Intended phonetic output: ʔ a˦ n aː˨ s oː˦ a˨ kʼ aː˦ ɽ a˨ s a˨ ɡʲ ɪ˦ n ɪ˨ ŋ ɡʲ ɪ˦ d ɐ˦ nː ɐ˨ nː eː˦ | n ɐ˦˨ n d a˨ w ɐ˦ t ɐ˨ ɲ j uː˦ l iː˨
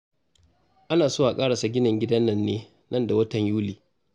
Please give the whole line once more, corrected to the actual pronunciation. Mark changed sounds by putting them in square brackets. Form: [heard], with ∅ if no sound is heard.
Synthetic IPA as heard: ʔ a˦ n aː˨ s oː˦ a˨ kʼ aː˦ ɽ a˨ s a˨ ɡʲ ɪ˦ n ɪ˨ ŋ ɡʲ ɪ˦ d ɐ˦ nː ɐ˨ nː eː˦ | n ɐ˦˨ n d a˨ w ɐ˦ t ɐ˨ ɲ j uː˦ l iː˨